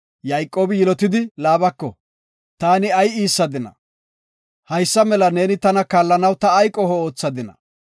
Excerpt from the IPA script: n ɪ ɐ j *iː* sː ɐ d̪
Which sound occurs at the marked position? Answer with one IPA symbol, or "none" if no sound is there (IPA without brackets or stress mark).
iː